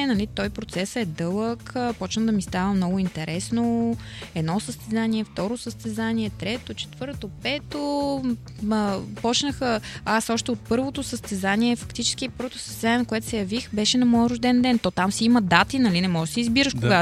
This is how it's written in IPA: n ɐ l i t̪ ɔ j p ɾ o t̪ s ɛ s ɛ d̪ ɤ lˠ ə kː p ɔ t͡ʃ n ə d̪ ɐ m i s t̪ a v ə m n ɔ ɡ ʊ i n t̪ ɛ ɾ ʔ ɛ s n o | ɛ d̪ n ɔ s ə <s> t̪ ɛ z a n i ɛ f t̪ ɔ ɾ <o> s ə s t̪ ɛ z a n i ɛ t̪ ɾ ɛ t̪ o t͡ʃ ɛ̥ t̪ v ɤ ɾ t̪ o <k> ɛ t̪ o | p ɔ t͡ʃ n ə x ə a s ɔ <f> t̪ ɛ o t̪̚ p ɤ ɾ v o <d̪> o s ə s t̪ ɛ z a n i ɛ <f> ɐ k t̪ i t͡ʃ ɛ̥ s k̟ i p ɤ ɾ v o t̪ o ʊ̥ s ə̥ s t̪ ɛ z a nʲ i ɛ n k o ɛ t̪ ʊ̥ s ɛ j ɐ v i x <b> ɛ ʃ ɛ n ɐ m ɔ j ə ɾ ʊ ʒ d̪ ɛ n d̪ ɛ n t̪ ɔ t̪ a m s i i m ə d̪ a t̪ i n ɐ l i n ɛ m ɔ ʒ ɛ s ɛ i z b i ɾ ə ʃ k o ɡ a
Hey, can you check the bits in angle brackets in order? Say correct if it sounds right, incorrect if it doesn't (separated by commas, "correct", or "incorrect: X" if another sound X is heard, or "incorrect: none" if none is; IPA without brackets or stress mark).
correct, correct, incorrect: p, incorrect: ʃ, incorrect: t̪, correct, correct